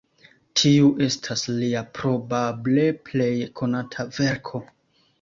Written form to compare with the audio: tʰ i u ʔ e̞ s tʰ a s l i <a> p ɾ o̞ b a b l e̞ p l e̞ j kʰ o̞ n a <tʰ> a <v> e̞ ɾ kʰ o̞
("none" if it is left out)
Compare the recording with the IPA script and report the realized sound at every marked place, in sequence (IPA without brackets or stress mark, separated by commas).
a, tʰ, v